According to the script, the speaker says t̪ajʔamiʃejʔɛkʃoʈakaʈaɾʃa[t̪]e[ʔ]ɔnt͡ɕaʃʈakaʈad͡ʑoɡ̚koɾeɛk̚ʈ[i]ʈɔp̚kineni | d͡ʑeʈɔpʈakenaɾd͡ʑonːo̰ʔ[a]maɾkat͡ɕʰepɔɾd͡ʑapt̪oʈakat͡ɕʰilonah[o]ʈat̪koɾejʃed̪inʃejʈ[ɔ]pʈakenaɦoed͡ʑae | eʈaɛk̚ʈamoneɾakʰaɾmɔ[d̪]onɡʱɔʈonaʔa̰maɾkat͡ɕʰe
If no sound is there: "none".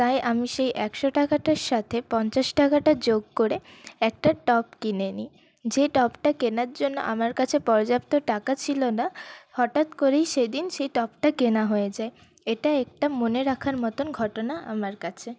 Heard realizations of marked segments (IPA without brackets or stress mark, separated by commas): t̪ʰ, p, a, a, ɔ, ɔ, t̪